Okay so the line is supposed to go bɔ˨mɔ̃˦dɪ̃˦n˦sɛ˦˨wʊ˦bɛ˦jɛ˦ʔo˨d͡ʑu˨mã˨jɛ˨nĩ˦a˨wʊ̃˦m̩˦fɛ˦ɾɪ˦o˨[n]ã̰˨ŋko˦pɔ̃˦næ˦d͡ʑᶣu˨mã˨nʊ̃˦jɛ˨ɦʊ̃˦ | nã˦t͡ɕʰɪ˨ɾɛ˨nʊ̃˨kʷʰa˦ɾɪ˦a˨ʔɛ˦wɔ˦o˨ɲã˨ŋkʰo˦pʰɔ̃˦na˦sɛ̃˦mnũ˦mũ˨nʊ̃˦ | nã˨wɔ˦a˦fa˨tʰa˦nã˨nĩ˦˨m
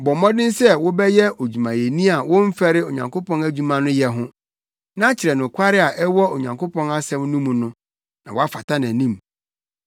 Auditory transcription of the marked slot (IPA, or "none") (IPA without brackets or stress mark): ɲ